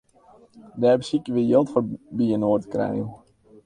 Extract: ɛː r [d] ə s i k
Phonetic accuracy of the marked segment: incorrect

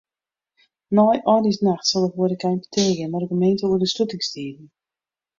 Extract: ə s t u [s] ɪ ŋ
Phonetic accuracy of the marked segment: incorrect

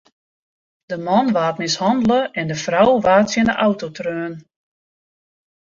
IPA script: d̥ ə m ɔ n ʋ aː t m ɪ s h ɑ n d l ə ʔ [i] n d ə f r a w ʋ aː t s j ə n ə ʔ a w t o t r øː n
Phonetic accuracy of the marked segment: incorrect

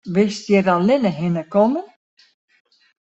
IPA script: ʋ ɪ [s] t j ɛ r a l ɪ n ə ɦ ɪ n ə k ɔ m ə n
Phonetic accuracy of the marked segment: correct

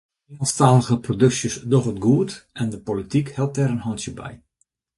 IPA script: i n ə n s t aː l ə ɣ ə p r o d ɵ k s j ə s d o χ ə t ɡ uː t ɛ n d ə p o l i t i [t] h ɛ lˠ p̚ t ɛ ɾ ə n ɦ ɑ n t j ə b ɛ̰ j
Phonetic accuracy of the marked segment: incorrect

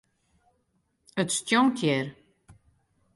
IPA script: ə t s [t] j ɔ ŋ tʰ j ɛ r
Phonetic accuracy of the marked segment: correct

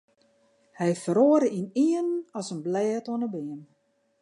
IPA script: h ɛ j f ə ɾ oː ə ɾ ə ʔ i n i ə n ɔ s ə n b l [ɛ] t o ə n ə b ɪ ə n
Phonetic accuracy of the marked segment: incorrect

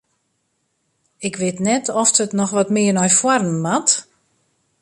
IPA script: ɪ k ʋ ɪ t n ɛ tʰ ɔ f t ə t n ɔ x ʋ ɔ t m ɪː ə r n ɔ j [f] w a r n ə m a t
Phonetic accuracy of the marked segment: correct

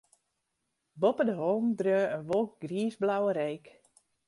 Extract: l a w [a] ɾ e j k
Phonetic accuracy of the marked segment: incorrect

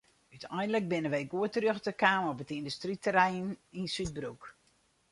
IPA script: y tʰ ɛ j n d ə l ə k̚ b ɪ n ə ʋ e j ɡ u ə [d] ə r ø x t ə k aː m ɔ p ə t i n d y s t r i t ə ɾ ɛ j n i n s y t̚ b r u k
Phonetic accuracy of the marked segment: incorrect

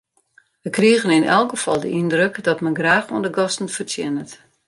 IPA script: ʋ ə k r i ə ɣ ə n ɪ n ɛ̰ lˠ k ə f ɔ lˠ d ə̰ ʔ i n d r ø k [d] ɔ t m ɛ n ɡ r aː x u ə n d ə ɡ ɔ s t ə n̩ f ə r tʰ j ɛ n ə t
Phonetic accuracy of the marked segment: correct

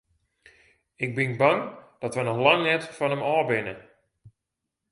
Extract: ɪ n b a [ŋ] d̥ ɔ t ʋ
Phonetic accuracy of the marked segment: correct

